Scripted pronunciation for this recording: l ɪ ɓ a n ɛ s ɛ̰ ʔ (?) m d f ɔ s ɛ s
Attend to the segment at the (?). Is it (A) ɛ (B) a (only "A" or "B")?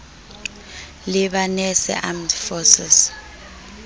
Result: B